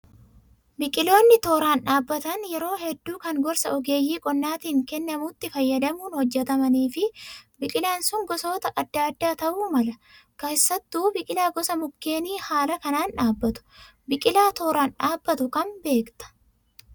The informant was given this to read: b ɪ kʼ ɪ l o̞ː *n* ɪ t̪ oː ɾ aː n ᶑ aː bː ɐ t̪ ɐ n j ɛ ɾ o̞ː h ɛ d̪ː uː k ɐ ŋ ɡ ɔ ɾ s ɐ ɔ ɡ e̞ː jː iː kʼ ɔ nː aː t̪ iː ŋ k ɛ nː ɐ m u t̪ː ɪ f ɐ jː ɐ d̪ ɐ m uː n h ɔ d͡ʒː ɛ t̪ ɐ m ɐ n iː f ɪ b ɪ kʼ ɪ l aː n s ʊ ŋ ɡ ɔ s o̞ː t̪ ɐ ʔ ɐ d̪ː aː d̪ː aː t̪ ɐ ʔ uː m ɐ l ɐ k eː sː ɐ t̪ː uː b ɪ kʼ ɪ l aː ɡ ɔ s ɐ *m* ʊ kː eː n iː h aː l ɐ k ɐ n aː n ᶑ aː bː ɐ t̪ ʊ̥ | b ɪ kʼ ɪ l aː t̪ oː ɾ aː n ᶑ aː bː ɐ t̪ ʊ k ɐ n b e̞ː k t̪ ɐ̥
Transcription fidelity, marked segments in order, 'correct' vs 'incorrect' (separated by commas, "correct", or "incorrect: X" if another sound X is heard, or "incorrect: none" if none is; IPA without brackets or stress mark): incorrect: nː, correct